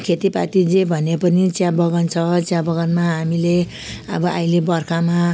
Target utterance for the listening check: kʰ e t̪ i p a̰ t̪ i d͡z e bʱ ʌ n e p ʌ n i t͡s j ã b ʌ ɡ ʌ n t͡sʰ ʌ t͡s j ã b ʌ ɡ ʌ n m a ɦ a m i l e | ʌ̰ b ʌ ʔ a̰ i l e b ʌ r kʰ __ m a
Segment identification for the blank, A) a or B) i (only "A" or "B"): A